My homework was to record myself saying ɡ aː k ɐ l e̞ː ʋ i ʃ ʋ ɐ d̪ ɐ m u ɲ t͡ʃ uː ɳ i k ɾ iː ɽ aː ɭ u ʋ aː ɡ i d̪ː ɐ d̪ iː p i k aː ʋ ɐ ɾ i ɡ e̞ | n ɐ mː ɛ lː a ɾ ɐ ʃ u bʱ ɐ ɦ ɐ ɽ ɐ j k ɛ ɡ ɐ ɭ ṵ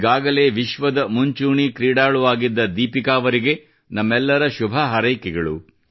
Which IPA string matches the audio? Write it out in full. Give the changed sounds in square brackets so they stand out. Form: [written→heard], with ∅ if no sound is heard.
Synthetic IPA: ɡ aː [k→ɡ] ɐ l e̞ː ʋ i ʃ ʋ ɐ d̪ ɐ m u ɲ t͡ʃ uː ɳ i k ɾ iː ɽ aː ɭ u ʋ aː ɡ i d̪ː ɐ d̪ iː p i k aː ʋ ɐ ɾ i ɡ e̞ | n ɐ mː ɛ lː [a→ɐ] ɾ ɐ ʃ u bʱ ɐ ɦ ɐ [ɽ→ɾ] ɐ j k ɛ ɡ ɐ ɭ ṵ